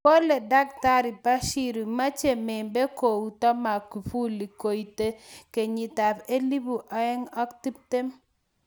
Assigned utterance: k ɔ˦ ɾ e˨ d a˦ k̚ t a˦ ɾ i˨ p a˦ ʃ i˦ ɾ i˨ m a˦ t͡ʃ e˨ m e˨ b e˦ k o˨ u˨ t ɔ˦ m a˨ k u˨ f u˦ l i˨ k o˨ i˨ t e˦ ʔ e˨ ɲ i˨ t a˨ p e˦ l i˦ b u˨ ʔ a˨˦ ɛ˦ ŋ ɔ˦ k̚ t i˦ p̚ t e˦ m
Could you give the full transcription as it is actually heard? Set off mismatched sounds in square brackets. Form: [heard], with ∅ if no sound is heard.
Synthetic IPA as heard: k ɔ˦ [l] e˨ d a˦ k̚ t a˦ ɾ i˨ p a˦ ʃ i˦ ɾ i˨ m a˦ t͡ʃ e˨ m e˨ b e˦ k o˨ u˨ t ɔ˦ m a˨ k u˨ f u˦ l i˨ k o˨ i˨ t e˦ [k] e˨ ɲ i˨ t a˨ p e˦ l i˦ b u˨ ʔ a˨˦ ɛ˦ ŋ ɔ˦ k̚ t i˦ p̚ t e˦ m